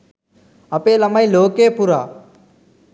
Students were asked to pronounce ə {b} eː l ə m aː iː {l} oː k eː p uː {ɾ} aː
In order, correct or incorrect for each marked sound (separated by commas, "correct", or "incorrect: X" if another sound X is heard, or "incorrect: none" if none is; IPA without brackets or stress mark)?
incorrect: p, correct, correct